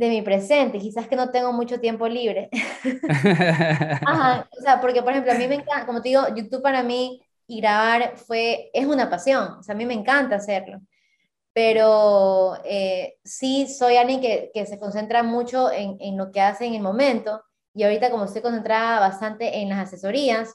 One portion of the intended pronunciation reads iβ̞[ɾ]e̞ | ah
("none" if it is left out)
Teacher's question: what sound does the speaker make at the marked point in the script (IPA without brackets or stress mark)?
ɾ